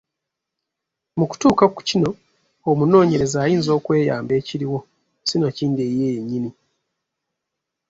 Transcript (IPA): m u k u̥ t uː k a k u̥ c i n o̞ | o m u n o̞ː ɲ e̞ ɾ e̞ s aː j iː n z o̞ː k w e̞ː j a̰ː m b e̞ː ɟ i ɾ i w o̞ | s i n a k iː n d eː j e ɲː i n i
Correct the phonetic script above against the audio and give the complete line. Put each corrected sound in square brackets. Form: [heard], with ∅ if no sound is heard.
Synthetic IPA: m u k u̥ t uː k a k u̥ c i n o̞ | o m u n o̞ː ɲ e̞ ɾ e̞ [z] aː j iː n z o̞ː k w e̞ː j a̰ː m b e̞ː [c] i ɾ i w o̞ | s i n a [c] iː n d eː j e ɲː i n i